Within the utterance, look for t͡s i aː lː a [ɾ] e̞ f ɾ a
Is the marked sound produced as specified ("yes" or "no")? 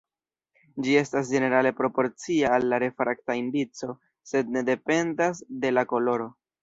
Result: yes